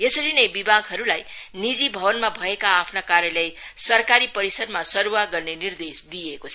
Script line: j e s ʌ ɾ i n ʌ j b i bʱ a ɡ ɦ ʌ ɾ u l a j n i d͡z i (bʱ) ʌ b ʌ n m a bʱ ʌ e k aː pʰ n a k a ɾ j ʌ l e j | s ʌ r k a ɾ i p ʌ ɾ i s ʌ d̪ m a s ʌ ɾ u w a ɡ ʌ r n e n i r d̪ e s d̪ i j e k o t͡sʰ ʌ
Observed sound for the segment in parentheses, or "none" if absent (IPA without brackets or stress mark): bʱ